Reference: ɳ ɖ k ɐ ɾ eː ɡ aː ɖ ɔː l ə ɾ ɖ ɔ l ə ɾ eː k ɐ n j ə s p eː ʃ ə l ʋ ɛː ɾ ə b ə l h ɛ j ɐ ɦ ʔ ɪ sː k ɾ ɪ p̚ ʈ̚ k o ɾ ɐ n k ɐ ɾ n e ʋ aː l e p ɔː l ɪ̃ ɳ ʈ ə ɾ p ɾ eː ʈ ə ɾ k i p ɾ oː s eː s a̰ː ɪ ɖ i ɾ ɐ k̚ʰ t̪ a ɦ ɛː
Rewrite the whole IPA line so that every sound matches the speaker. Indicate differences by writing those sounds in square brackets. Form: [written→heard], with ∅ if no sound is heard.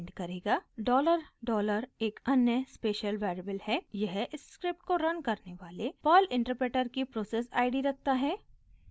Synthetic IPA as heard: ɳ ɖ k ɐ ɾ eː ɡ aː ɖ ɔː l ə ɾ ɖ [ɔ→ɔː] l ə ɾ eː k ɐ n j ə s p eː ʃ ə l ʋ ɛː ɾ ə b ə l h ɛ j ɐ ɦ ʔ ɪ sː k ɾ ɪ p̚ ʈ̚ k o ɾ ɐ n k ɐ ɾ n e ʋ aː l e p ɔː l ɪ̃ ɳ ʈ ə ɾ p ɾ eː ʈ ə ɾ k i p ɾ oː s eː s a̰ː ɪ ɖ i ɾ ɐ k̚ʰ t̪ a ɦ ɛː